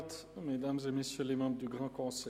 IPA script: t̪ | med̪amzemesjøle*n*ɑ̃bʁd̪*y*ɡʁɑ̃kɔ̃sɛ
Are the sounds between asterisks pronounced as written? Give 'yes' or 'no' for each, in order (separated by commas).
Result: no, yes